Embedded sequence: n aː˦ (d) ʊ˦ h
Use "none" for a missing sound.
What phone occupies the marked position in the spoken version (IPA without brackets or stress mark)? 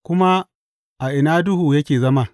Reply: d